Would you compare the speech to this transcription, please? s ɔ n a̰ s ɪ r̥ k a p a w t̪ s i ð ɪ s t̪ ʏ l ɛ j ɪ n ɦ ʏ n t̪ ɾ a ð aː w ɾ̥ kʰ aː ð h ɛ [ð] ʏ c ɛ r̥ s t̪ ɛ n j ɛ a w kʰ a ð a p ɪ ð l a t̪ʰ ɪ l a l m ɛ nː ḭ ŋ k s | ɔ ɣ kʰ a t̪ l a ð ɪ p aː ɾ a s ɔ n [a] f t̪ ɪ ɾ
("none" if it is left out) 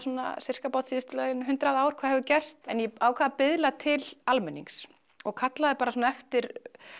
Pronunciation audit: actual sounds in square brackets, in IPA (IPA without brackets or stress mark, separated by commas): v, ɛ